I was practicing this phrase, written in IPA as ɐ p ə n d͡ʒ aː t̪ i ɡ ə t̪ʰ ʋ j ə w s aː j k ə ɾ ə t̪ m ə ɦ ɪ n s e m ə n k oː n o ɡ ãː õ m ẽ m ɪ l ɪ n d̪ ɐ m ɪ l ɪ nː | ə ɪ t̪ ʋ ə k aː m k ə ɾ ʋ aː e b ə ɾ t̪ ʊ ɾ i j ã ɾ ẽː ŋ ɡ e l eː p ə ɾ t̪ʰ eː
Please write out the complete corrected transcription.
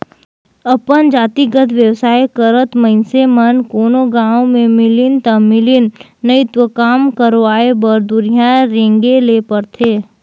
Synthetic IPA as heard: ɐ p ə n d͡ʒ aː t̪ i ɡ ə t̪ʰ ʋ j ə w s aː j k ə ɾ ə t̪ m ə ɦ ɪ n s e m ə n k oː n o ɡ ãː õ m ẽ m ɪ l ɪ n t̪ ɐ m ɪ l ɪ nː | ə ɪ t̪ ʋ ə k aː m k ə ɾ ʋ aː e b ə ɾ d̪ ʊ ɾ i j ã ɾ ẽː ŋ ɡ e l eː p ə ɾ t̪ʰ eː